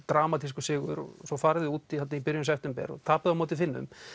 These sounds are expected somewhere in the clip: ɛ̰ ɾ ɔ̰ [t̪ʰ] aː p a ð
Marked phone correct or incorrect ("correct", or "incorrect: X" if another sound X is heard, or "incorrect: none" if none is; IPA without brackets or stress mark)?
correct